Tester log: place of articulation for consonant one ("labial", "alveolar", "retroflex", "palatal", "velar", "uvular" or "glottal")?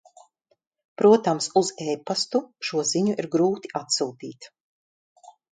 labial